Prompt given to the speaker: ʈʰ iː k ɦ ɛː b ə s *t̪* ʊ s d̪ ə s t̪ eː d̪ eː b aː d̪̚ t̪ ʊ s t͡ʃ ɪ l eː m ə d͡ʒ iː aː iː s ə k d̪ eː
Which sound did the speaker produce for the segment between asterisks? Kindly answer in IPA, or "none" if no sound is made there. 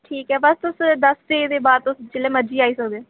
t̪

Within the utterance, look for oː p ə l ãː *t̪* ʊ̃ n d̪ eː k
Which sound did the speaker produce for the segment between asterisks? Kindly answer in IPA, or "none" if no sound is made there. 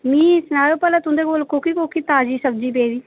t̪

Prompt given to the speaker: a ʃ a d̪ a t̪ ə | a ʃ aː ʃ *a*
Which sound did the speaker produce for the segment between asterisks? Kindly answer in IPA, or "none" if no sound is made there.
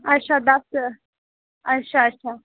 a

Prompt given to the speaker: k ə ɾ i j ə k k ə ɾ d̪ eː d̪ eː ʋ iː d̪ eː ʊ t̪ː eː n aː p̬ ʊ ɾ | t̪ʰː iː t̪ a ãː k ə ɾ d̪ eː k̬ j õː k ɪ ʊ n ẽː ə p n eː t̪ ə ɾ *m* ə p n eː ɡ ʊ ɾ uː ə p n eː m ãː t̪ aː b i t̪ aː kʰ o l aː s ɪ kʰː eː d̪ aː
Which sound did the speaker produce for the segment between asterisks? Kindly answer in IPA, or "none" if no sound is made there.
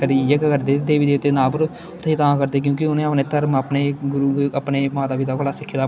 m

